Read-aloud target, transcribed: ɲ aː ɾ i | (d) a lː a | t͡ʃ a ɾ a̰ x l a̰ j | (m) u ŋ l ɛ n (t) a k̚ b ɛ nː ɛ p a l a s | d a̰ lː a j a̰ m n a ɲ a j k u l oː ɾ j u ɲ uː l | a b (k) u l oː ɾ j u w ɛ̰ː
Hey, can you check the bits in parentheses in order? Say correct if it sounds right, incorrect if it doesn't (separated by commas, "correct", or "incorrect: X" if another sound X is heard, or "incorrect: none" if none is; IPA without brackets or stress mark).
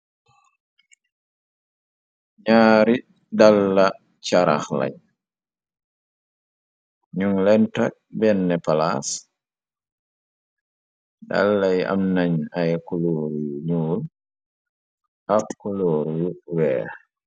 correct, incorrect: ɲ, correct, correct